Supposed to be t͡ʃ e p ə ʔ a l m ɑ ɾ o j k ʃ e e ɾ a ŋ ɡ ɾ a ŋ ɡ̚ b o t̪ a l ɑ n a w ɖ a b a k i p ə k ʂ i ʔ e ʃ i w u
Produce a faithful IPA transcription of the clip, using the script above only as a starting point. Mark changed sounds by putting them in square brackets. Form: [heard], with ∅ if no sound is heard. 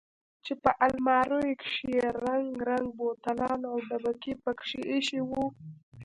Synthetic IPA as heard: t͡ʃ e p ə ʔ a l m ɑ ɾ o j k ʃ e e ɾ a ŋ ɡ ɾ a ŋ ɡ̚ b o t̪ a l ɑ n a w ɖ a b a k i p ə k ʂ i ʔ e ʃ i w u

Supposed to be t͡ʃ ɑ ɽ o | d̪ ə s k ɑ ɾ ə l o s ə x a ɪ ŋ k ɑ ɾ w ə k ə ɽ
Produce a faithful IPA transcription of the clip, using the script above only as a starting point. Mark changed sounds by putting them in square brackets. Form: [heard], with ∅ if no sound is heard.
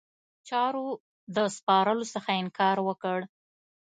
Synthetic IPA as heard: t͡ʃ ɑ [ɾ] o | d̪ ə s [p] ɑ ɾ ə l o s ə x a ɪ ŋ k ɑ ɾ w ə k ə ɽ

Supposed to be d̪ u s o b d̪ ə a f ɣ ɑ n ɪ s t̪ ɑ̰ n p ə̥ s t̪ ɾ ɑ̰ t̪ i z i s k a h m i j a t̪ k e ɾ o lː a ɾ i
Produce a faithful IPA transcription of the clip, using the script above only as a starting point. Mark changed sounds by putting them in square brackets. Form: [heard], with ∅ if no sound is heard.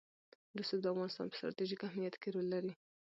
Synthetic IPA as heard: d̪ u s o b d̪ ə a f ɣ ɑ n ɪ s t̪ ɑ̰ n p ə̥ s t̪ ɾ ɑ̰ t̪ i [ʒ] i [∅] k a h m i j a t̪ k e ɾ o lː a ɾ i

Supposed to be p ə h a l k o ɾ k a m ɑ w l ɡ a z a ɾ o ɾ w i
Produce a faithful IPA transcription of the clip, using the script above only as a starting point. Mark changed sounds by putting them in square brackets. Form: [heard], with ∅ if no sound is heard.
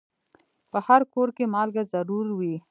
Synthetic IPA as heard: p ə h a [ɾ] k o ɾ k [e] m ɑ [∅] l ɡ a z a ɾ [u] ɾ w i

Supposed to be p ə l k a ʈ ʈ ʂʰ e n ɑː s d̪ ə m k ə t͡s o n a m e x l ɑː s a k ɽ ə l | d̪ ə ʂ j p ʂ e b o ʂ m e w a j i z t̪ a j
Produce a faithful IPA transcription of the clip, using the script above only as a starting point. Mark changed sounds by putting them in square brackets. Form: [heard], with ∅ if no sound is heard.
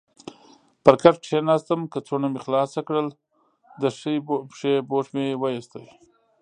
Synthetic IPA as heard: p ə [ɾ] k a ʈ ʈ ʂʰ e n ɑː s [t̪] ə m k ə t͡s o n a m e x l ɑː s a k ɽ ə l | d̪ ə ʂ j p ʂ e b o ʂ m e w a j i [s] t̪ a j

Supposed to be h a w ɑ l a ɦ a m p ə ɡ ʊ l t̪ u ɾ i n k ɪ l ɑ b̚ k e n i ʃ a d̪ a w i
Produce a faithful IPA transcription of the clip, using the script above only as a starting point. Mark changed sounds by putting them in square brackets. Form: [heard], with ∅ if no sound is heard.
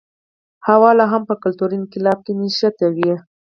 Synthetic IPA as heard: h a w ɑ l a ɦ a m p ə [k] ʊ l t̪ u ɾ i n k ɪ l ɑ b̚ k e n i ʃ a [t̪] a w i

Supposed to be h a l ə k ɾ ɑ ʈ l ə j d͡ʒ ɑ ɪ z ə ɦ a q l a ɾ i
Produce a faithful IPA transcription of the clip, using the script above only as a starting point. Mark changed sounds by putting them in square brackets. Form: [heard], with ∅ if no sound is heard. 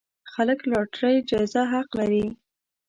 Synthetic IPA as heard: [x] a l ə k [l] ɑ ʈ [ɾ] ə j d͡ʒ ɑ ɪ z [a] ɦ a q l a ɾ i

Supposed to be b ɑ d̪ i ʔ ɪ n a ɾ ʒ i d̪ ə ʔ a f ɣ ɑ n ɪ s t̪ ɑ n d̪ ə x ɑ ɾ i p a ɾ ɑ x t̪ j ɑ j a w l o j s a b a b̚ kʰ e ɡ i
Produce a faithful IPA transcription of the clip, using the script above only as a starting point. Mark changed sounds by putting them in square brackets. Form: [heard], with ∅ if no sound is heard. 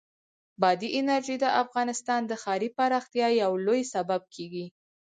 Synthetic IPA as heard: b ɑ d̪ i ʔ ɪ n a ɾ ʒ i d̪ ə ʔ a f ɣ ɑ n ɪ s t̪ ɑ n d̪ ə x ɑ ɾ i p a ɾ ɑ x t̪ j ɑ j a w l o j s a b a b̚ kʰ e ɡ i

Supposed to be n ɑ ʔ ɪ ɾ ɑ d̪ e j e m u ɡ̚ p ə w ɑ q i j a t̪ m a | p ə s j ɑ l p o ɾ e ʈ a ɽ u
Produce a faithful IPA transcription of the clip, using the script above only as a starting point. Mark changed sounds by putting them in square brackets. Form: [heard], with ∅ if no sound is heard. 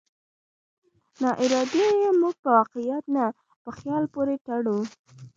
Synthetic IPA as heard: n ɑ ʔ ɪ ɾ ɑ d̪ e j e m u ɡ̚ p ə w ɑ q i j a t̪ [n] a | p ə [x] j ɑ l p o ɾ e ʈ a ɽ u

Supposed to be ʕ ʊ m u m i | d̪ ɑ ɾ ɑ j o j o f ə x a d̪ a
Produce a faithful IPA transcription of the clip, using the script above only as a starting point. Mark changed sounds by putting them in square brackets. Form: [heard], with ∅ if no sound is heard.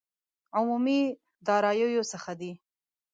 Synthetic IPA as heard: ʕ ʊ m u m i | d̪ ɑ ɾ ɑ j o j o [s] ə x a d̪ [i]

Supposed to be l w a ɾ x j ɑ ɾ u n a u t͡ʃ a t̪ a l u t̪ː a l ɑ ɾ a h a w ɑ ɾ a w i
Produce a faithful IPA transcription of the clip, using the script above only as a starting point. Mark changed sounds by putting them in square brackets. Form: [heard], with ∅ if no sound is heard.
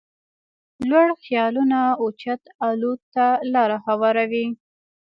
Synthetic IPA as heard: l w a [ɽ] x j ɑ [l] u n a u t͡ʃ a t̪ a l u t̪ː a l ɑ ɾ a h a w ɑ ɾ a w i

